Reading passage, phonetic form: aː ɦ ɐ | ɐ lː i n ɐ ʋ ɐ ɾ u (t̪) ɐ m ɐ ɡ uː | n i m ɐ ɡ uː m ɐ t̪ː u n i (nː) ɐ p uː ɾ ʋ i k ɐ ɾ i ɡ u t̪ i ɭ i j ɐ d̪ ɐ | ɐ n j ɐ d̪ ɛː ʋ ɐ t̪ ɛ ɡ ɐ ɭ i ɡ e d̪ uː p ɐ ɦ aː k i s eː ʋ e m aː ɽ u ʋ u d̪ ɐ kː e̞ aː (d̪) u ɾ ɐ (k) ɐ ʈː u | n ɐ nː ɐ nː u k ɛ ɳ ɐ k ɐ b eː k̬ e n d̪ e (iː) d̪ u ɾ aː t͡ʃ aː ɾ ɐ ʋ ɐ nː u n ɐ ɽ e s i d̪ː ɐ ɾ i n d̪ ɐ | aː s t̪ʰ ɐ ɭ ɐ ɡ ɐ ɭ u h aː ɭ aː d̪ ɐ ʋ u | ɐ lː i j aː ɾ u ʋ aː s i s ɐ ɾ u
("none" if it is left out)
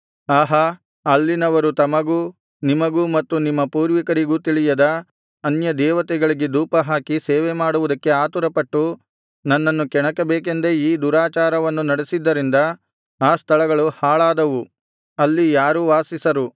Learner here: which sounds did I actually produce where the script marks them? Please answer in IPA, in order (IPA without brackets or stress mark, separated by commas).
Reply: t̪, mː, t̪, p, iː